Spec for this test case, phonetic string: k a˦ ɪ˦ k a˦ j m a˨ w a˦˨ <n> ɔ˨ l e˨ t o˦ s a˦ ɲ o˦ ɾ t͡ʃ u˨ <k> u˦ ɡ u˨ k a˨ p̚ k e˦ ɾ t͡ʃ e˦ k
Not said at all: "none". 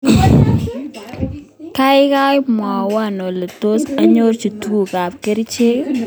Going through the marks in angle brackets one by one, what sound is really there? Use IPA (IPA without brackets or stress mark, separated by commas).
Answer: n, t